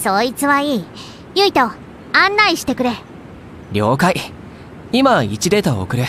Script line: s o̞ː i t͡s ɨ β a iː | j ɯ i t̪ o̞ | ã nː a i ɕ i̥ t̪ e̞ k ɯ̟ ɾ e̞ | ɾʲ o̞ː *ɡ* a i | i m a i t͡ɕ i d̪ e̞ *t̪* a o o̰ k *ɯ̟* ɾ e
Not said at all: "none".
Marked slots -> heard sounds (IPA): k, t̪, ɯ̟

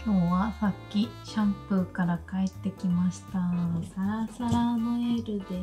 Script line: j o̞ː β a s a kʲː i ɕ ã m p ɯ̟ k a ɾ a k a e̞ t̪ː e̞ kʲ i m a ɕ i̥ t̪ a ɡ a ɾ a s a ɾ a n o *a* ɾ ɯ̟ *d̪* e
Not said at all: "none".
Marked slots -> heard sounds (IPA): e, d̪

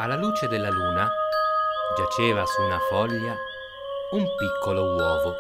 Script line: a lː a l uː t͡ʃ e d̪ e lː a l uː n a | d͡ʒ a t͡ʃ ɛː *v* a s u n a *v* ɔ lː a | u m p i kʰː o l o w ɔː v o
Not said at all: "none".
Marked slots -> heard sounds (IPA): v, f

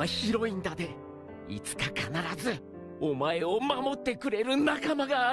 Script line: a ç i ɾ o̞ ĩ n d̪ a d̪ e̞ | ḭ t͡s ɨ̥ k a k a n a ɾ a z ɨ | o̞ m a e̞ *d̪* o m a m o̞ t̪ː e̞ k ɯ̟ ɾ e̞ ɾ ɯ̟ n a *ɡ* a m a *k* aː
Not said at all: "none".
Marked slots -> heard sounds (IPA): none, k, ɡ

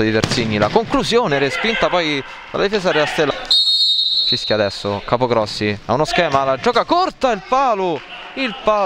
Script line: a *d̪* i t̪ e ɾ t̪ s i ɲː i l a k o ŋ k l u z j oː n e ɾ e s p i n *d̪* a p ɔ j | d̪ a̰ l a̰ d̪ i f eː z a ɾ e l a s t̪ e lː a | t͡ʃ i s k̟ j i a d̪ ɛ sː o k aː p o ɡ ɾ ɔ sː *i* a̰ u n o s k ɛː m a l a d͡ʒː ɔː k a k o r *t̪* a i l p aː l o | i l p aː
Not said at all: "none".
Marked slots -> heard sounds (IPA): d̪, t̪, i, t̪

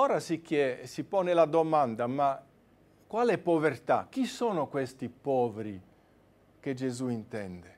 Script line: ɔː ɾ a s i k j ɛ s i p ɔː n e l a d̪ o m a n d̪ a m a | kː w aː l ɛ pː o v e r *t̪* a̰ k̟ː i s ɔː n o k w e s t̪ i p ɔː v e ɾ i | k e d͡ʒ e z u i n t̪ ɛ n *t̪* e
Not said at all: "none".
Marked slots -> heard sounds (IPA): t̪, d̪

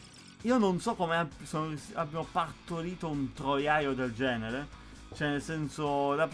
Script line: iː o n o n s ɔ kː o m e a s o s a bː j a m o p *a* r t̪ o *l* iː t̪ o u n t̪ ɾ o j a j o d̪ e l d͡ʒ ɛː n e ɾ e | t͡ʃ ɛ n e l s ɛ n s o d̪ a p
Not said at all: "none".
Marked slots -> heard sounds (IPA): a, ɾ

